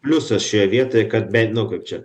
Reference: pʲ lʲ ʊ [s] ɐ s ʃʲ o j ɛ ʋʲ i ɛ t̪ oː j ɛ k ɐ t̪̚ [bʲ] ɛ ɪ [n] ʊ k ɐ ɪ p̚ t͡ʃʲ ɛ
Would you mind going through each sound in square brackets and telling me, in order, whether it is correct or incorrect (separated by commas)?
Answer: correct, correct, correct